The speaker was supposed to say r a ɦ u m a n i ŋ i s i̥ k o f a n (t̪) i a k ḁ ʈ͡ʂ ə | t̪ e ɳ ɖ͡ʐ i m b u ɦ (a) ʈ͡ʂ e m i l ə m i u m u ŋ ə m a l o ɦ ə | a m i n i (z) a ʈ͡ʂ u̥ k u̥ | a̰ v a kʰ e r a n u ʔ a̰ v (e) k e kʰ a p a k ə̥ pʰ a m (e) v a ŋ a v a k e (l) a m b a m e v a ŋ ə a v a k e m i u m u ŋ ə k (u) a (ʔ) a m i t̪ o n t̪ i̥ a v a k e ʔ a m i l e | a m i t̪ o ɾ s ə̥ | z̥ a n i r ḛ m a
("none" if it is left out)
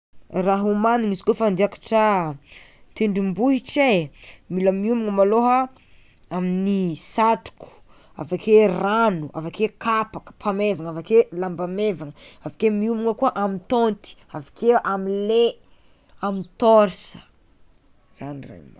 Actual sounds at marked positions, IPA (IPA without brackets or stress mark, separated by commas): d̪, i, s, a, e, l, u, ʔ